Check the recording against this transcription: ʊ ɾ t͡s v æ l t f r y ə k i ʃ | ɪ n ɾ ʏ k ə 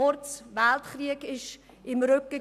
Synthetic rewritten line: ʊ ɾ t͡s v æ l t χ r i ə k ɪ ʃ | ɪ m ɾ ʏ k ə